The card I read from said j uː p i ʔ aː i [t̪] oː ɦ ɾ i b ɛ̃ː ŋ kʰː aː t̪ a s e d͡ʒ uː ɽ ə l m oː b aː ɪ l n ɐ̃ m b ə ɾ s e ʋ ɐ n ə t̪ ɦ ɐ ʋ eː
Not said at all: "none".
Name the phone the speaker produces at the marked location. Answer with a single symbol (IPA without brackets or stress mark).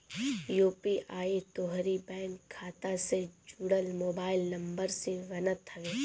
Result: t̪